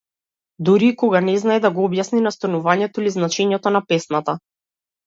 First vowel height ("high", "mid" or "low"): high